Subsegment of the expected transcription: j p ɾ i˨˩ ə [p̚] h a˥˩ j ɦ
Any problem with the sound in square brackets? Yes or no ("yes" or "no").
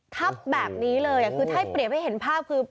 no